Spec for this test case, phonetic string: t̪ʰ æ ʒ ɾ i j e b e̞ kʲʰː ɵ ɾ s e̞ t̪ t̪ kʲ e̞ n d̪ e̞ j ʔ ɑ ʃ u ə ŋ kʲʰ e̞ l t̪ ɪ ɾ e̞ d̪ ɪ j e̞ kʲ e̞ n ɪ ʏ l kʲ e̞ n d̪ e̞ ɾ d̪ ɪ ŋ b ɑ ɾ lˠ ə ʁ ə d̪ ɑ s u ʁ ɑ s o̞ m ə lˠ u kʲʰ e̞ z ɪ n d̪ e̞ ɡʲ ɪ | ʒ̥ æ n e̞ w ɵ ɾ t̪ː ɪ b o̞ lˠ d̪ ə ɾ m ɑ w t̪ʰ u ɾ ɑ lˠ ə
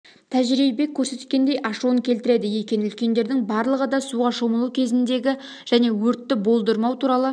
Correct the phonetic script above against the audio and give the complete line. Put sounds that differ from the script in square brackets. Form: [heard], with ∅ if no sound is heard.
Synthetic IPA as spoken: t̪ʰ æ ʒ ɾ i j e b e̞ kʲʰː ɵ ɾ s e̞ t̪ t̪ kʲ e̞ n d̪ e̞ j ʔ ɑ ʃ u ə ŋ kʲʰ e̞ l t̪ ɪ ɾ e̞ d̪ ɪ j e̞ kʲ e̞ n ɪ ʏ l kʲ e̞ n d̪ e̞ ɾ d̪ ɪ ŋ b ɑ ɾ lˠ ə ʁ ə d̪ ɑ s u ʁ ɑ [ʃ] o̞ m ə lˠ u kʲʰ e̞ z ɪ n d̪ e̞ ɡʲ ɪ | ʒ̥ æ n e̞ w ɵ ɾ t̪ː ɪ b o̞ lˠ d̪ ə ɾ m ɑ w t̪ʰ u ɾ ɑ lˠ ə